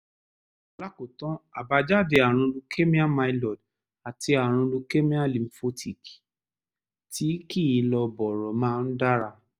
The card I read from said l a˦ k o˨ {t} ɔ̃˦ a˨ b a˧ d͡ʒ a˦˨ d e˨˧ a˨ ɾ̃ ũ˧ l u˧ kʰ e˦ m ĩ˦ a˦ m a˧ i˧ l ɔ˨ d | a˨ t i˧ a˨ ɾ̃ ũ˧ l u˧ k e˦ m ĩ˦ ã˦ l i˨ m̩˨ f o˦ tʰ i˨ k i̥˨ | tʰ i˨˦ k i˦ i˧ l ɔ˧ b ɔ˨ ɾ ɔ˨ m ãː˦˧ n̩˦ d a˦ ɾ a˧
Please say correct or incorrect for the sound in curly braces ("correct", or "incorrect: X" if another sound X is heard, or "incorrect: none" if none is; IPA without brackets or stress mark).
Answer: correct